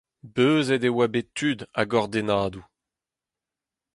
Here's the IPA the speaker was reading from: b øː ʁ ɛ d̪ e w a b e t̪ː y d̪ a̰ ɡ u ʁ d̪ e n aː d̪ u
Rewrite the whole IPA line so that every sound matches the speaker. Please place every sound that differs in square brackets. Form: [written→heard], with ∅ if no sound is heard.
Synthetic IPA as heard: b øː [ʁ→z] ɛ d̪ e w a b e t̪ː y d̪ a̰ ɡ [u→ɔ] ʁ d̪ e n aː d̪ u

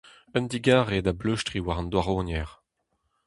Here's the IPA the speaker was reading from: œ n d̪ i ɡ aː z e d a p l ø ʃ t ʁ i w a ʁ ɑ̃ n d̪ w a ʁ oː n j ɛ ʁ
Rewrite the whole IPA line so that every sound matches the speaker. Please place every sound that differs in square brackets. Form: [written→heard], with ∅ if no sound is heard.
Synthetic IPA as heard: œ n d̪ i ɡ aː [z→ʁ] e d a [p→b] l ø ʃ t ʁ i w a ʁ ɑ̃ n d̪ w a ʁ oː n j ɛ ʁ

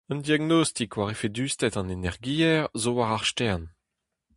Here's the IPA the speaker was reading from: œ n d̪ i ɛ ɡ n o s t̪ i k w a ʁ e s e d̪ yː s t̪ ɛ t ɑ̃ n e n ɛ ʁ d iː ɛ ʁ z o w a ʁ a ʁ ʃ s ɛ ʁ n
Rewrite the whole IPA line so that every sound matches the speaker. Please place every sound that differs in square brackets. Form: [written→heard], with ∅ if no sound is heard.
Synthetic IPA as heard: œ n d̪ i [ɛ→a] ɡ n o s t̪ i k w a ʁ e [s→f] e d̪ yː s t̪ ɛ t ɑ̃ n e n ɛ ʁ [d→ɡ] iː ɛ ʁ z o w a ʁ a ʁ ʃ [s→t] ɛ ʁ n

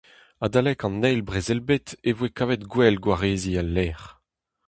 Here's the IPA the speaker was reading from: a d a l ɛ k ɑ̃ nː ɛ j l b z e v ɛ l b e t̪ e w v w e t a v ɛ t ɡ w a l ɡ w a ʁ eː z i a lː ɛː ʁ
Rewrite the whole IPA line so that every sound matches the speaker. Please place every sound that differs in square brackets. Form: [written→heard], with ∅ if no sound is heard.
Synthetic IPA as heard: a d a l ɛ k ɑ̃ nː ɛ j l b [z→ʁ] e [v→z] ɛ l b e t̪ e [w→∅] v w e [t→k] a v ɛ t ɡ w [a→ɛ] l ɡ w a ʁ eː z i a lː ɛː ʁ

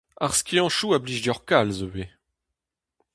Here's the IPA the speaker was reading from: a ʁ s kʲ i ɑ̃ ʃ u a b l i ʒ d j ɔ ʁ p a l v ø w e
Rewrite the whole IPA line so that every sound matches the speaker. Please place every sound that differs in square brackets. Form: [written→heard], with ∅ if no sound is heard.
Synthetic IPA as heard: a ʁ s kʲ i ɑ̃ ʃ u a b l i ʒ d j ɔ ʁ [p→k] a l [v→z] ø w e

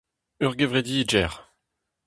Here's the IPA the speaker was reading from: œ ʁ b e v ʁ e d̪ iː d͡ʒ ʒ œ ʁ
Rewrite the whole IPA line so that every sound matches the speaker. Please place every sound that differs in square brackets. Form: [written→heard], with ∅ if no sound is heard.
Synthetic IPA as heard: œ ʁ [b→ɡ] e v ʁ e d̪ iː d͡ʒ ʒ [œ→ɛ] ʁ

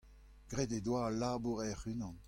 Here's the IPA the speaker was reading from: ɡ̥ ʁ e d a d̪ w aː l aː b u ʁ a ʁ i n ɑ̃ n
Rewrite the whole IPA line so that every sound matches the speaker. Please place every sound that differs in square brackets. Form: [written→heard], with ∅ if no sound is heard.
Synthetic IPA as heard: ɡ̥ ʁ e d [a→e] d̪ w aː l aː b u ʁ [a→ɛ] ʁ [i→y] n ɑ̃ n

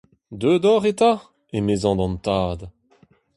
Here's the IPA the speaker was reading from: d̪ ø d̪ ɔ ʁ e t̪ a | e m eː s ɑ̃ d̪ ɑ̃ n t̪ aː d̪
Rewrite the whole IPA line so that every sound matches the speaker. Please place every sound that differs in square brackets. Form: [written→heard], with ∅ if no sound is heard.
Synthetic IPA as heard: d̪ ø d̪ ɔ ʁ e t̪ a | e m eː [s→z] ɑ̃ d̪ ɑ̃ n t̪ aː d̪

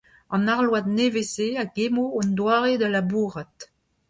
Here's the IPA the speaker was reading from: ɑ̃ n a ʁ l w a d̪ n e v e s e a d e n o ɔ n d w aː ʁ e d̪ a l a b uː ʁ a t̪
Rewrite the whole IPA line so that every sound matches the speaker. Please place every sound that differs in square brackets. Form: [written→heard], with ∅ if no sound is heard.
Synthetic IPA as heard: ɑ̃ n a ʁ l w a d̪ n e v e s e a [d→ɡ] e [n→m] o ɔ n d w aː ʁ e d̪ a l a b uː ʁ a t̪

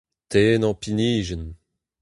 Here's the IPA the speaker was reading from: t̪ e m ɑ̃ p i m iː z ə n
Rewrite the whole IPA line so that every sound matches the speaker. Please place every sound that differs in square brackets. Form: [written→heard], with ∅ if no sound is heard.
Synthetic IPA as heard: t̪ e [m→n] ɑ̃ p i [m→n] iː [z→ʒ] ə n

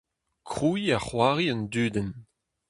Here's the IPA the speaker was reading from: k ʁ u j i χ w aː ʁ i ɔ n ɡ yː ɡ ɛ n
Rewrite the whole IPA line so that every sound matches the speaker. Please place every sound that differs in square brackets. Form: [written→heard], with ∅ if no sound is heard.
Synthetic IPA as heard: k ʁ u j [i→a] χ w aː ʁ i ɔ n [ɡ→d] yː [ɡ→d] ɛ n

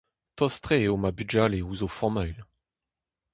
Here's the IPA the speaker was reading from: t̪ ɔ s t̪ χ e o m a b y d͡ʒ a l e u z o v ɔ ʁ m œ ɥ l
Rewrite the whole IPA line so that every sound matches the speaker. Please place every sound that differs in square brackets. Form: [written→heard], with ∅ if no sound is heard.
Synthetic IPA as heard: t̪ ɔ s t̪ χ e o m a b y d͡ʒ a l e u z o [v→f] ɔ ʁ m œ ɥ l

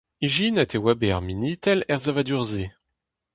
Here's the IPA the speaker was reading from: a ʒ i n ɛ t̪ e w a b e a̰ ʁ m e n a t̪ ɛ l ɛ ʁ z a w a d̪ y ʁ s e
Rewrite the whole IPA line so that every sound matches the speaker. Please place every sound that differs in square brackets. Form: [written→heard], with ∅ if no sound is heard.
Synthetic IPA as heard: [a→i] ʒ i n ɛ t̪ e w a b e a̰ ʁ m [e→i] n [a→i] t̪ ɛ l ɛ ʁ z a [w→v] a d̪ y ʁ [s→z] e

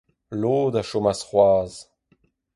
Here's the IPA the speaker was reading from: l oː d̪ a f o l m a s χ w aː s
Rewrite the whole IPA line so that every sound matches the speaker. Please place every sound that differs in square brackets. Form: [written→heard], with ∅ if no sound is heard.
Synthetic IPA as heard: l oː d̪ a [f→ʃ] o [l→∅] m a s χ w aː [s→z]

